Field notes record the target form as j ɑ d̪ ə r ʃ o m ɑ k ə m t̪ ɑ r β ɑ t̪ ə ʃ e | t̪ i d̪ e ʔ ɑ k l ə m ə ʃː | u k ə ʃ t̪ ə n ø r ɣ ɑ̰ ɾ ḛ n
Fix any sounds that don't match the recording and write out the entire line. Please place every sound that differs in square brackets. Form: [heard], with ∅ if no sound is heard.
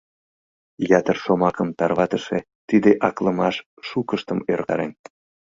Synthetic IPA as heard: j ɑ [t̪] ə r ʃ o m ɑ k ə m t̪ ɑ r β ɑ t̪ ə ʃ e | t̪ i d̪ e ʔ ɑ k l ə m [ɑ] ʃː | u k ə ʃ t̪ ə [m] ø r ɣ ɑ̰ ɾ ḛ n